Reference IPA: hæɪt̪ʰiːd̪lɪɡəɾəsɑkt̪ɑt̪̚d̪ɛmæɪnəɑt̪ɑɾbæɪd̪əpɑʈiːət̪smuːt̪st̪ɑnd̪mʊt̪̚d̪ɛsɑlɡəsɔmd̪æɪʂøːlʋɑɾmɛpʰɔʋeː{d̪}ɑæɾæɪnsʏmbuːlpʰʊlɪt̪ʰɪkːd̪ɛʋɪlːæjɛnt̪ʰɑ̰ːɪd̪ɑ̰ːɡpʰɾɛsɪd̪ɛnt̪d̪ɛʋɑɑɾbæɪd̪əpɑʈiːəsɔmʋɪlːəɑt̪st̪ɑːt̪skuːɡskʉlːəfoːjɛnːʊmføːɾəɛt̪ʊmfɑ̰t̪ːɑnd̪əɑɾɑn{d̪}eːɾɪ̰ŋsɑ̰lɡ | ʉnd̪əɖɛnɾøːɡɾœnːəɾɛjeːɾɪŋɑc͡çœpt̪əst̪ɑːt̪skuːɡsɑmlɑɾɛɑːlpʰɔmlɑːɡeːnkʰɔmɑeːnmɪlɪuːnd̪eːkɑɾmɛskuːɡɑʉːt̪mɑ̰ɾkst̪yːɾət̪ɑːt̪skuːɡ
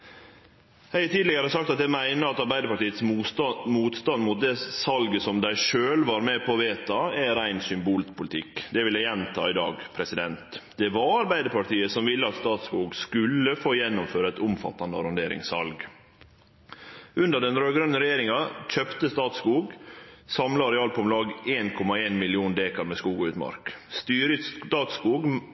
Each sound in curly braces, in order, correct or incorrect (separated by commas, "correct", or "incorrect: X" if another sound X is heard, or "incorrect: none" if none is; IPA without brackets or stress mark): incorrect: t̪, correct